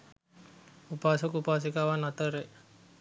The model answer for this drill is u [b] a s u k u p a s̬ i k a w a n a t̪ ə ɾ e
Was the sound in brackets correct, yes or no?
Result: no